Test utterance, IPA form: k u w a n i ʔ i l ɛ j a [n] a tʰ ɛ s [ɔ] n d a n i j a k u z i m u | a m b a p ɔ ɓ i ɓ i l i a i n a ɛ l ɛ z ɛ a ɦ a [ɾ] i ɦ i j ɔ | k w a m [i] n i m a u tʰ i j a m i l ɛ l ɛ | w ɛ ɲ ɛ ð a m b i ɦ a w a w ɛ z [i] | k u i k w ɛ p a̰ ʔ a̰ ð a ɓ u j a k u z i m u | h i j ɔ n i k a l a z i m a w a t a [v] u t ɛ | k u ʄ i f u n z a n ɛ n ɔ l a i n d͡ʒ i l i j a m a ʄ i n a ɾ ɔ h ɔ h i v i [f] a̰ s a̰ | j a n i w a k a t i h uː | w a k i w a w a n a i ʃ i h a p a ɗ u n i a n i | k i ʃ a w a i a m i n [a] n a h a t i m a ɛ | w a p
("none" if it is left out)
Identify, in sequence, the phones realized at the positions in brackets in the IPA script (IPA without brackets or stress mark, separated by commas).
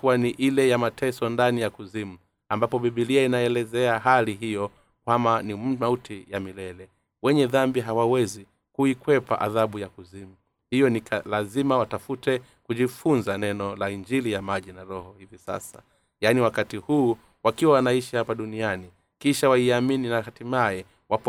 m, ɔ, l, a, i, f, s, i